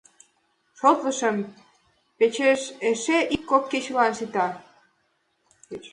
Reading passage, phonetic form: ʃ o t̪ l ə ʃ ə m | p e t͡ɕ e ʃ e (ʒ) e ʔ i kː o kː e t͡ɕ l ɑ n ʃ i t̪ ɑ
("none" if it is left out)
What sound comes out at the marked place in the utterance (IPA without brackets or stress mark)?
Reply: ʃ